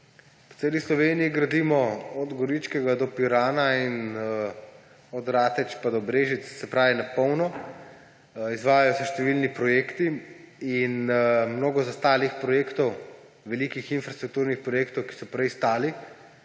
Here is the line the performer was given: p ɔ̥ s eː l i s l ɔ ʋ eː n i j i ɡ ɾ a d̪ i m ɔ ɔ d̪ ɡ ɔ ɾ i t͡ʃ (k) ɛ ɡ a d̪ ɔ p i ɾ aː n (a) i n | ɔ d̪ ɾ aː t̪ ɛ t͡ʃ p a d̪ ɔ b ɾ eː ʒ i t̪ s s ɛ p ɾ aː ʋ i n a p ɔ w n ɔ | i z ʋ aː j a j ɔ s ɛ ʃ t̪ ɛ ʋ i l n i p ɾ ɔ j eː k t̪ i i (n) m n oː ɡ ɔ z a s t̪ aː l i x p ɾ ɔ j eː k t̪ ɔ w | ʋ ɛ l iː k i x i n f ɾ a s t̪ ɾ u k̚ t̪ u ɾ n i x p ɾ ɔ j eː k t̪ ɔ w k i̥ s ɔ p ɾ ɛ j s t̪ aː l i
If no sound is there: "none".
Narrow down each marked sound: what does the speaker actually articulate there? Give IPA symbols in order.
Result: k, a, n

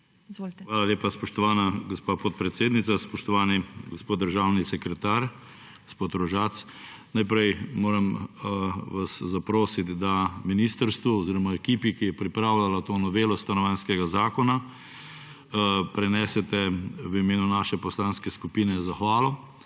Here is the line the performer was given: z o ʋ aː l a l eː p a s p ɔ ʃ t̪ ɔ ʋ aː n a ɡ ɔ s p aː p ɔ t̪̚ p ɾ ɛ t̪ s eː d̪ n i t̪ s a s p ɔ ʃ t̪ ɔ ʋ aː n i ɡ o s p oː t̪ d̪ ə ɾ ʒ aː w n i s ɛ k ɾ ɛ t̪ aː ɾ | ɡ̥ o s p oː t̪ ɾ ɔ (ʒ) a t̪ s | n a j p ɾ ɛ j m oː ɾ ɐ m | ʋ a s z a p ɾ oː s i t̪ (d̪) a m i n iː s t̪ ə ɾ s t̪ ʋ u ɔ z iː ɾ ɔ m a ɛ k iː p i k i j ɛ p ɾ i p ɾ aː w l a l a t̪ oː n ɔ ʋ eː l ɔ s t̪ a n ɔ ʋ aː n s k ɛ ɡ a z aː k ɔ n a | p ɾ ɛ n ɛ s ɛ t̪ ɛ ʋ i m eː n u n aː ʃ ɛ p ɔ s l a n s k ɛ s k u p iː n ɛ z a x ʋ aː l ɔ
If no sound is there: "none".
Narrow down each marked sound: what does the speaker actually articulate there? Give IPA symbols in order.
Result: ʒ, d̪

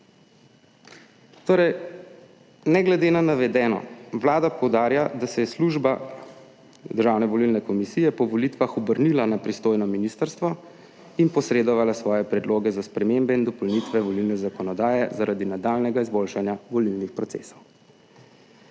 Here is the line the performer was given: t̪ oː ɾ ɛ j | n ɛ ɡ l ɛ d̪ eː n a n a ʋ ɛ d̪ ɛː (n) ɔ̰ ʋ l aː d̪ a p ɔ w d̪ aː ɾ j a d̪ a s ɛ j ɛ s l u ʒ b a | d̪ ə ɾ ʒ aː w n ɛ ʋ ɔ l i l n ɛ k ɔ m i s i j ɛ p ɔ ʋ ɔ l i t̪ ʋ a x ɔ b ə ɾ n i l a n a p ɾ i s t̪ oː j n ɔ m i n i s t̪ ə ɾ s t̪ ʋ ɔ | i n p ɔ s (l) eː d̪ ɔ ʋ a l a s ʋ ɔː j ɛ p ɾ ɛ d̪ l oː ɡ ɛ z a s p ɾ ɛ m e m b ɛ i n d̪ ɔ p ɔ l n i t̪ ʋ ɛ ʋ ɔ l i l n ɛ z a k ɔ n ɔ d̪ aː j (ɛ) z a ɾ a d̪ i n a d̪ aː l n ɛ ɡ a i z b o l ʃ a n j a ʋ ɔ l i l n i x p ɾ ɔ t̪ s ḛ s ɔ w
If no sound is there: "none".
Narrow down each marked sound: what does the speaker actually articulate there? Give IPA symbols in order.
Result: n, ɾ, ɛ

